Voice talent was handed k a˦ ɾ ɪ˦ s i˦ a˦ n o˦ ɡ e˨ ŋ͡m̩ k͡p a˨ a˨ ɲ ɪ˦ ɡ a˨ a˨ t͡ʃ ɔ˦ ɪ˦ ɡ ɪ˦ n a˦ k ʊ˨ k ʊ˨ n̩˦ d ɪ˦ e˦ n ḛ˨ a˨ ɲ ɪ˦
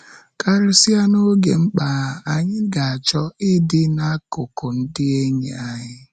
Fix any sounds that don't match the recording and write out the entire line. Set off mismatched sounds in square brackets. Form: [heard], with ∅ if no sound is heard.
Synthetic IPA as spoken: k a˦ ɾ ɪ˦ s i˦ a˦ n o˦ ɡ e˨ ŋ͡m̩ k͡p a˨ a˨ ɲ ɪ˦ ɡ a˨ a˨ t͡ʃ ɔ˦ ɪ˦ [d] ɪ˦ n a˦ k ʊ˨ k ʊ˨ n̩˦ d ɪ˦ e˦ [ɲ] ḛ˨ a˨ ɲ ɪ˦